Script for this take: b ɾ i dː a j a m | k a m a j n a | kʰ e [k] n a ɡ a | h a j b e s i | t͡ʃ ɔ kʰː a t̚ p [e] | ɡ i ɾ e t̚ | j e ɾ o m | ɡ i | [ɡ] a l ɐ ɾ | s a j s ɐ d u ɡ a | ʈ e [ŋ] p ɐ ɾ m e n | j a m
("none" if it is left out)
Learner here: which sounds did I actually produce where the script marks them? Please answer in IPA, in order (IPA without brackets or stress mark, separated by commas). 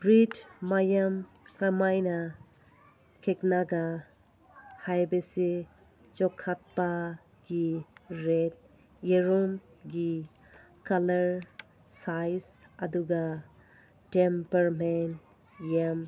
k, a, k, m